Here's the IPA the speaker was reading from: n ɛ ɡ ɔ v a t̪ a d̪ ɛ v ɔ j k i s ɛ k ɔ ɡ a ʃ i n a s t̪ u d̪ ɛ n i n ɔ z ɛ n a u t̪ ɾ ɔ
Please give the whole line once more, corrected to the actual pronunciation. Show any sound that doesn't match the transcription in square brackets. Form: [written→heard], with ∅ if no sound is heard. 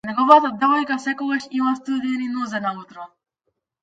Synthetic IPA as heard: n ɛ ɡ ɔ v a t̪ a d̪ ɛ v ɔ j k [i→a] s ɛ k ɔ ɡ a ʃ i [n→m] a s t̪ u d̪ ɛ n i n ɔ z ɛ n a u t̪ ɾ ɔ